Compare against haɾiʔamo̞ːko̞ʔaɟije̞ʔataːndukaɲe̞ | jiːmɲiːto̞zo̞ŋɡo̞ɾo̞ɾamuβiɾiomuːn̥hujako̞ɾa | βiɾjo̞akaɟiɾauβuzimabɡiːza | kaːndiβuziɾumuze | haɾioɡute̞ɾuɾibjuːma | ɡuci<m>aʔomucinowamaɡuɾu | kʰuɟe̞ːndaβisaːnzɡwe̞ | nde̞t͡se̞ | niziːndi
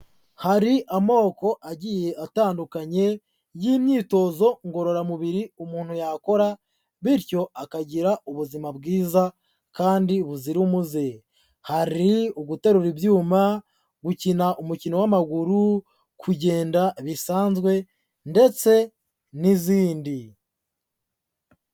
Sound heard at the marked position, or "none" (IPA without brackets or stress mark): n